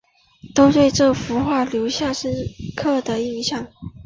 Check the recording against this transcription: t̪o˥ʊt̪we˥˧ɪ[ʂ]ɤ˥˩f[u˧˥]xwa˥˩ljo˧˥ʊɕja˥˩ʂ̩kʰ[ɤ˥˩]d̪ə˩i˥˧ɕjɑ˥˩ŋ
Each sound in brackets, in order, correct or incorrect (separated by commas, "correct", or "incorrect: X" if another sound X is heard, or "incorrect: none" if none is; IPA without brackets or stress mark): incorrect: ʈ͡ʂ, correct, correct